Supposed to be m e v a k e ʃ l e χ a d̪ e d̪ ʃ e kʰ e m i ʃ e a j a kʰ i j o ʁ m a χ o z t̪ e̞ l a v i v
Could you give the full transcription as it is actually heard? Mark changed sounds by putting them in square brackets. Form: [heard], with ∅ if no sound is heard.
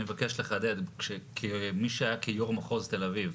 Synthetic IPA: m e v a k e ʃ l e χ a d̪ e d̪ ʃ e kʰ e m i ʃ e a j a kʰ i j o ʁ m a χ o z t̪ e̞ l a v i v